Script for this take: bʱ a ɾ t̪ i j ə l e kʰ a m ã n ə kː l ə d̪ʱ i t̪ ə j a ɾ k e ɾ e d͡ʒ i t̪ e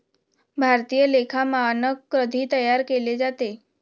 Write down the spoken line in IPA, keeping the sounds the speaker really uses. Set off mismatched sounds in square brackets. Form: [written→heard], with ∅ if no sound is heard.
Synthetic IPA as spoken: bʱ a ɾ t̪ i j ə l e kʰ a m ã n ə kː [l→ɾ] ə d̪ʱ i t̪ ə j a ɾ k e [ɾ→l] e d͡ʒ [i→a] t̪ e